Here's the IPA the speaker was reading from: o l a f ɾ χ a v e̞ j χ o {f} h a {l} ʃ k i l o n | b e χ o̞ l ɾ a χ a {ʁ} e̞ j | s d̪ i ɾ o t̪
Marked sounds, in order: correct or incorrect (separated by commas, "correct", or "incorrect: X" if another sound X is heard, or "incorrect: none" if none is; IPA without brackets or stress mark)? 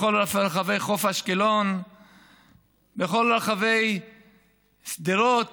correct, incorrect: none, incorrect: v